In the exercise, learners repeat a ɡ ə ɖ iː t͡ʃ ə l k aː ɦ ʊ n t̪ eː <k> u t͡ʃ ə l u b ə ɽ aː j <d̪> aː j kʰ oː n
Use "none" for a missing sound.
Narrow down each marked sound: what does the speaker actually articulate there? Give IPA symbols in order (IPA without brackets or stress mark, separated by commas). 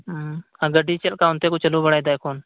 k, d̪